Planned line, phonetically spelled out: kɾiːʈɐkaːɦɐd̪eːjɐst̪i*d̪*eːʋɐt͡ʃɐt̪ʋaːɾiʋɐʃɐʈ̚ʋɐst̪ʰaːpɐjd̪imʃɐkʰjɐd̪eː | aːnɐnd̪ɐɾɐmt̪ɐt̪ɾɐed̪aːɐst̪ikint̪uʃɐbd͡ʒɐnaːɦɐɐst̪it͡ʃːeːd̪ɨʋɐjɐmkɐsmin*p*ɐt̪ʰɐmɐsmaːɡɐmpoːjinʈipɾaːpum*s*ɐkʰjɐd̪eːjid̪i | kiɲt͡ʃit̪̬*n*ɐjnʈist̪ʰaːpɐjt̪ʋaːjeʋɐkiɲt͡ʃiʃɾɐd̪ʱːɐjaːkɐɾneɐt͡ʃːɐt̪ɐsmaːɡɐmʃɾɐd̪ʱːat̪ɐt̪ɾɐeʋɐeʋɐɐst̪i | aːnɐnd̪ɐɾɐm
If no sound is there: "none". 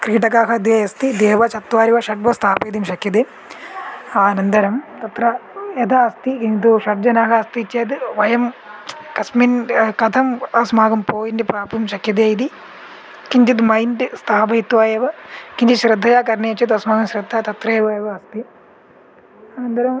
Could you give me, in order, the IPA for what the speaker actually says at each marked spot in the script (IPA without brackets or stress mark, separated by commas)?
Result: d̪, k, ʃ, m